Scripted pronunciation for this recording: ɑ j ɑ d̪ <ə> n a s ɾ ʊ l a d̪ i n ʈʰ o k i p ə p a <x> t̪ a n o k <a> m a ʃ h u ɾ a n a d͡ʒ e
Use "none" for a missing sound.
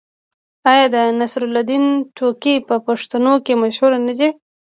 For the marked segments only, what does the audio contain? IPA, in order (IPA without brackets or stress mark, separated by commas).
ə, ʂ, e